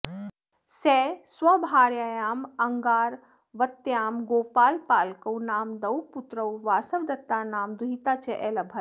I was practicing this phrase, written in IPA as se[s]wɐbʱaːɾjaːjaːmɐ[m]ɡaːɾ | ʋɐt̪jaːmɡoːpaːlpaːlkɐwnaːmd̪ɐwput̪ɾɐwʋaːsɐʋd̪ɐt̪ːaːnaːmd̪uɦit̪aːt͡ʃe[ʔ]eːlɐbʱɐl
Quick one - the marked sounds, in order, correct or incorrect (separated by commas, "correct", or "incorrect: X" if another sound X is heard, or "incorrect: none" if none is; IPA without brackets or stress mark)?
correct, incorrect: ŋ, correct